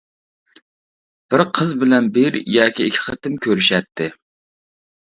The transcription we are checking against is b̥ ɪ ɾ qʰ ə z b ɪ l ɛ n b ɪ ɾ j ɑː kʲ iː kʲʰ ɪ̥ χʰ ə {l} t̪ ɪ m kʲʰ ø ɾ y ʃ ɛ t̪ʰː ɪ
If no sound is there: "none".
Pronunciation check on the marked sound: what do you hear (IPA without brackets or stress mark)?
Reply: none